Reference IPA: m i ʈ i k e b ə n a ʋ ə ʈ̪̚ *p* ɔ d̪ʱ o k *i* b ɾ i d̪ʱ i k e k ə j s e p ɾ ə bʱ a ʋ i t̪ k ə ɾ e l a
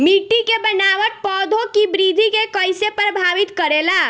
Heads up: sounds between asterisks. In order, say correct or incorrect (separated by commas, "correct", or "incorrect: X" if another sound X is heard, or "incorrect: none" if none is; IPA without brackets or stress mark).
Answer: correct, correct